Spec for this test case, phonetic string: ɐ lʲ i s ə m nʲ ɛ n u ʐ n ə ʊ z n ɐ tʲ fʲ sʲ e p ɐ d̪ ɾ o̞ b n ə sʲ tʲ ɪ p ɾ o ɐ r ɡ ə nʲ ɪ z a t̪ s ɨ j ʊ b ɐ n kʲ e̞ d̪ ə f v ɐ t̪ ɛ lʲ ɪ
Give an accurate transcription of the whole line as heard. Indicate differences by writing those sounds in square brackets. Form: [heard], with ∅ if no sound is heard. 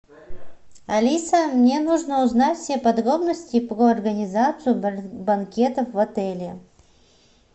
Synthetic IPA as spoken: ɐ lʲ i s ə m nʲ [e] n u ʐ n ə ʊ z n [a] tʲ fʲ sʲ e p ɐ d̪ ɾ o̞ b n ə sʲ tʲ ɪ p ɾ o ɐ r ɡ ə nʲ ɪ z a t̪ s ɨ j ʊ b ɐ n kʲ e̞ [t̪] ə f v ɐ t̪ ɛ lʲ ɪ